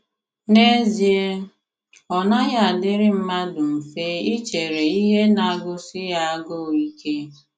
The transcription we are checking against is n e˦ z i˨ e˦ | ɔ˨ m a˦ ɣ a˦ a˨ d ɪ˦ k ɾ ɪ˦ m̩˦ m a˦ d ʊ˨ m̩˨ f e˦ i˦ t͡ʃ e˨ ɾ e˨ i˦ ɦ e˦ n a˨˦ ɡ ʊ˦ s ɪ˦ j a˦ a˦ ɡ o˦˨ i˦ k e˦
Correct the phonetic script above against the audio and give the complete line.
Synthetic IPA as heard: n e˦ z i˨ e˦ | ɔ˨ n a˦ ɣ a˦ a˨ d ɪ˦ ɾ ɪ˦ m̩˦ m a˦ d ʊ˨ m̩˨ f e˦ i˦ t͡ʃ e˨ ɾ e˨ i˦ ɦ e˦ n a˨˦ ɡ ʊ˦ s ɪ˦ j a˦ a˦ ɡ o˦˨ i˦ k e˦